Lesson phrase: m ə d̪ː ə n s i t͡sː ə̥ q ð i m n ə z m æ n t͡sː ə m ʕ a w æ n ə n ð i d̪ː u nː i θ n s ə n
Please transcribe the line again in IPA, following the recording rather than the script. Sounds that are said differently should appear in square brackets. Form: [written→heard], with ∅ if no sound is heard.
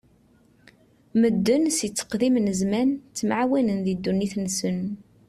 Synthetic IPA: m ə d̪ː ə n s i t͡sː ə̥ q ð i m n ə z m æ n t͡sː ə m ʕ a w æ n ə n ð i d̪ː u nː i θ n s ə n